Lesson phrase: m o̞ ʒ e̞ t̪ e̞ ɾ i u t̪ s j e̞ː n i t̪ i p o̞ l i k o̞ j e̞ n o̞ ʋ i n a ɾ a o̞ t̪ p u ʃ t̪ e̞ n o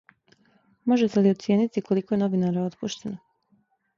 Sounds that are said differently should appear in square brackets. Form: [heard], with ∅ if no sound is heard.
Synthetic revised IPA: m o̞ ʒ e̞ t̪ e̞ [l] i [o] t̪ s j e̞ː n i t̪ i [k] o̞ l i k o̞ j e̞ n o̞ ʋ i n a ɾ a o̞ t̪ p u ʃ t̪ e̞ n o